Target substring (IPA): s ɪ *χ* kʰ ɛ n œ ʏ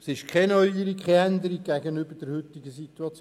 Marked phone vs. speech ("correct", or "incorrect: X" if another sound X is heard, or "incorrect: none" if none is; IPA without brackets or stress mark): incorrect: ʃ